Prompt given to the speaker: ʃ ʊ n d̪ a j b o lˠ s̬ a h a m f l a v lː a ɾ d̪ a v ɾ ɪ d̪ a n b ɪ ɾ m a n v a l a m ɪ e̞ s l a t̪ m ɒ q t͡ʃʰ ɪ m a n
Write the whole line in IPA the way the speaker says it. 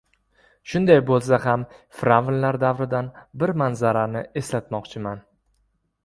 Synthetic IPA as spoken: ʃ ʊ n d̪ a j b o lˠ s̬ a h a m f ɾ a v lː a ɾ d̪ a v ɾ ɪ d̪ a n b ɪ ɾ m a n z a ɾ a n ɪ e̞ s l a t̪ m ɒ q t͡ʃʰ ɪ m a n

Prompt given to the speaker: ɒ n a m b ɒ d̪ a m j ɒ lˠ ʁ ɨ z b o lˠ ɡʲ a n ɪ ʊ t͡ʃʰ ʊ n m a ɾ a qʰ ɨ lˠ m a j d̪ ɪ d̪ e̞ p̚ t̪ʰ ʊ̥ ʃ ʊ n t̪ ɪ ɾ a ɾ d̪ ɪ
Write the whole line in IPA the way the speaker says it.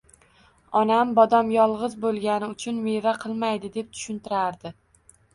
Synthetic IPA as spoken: ɒ n a m b ɒ d̪ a m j ɒ lˠ ʁ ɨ z b o lˠ ɡʲ a n ɪ ʊ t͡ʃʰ ʊ n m e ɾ a qʰ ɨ lˠ m a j d̪ ɪ d̪ e̞ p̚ t̪ʰ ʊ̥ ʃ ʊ n t̪ ɪ ɾ a ɾ d̪ ɪ

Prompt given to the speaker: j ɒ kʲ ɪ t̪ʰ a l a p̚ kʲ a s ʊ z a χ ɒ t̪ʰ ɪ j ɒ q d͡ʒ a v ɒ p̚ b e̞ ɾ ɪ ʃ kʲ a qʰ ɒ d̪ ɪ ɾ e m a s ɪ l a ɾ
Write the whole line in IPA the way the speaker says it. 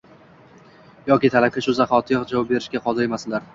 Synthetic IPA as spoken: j ɒ kʲ ɪ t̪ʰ a l a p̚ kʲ a ʃ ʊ z a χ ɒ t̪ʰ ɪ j ɒ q d͡ʒ a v ɒ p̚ b e̞ ɾ ɪ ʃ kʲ a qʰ ɒ d̪ ɪ ɾ e m a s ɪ l a ɾ

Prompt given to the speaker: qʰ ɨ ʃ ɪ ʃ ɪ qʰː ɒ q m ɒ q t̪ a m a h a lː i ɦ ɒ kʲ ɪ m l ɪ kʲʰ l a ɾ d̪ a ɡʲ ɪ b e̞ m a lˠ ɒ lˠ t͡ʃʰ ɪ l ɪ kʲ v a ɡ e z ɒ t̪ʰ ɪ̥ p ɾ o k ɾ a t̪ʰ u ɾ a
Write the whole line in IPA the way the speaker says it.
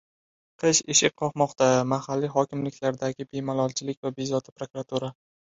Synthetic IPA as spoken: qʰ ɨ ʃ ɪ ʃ ɪ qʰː ɒ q m ɒ q t̪ a m a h a lː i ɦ ɒ kʲ ɪ m l ɪ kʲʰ l a ɾ d̪ a ɡʲ ɪ b e̞ m a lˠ ɒ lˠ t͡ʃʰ ɪ l ɪ kʲ v a b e z ɒ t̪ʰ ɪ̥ p ɾ o k ɾ a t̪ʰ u ɾ a

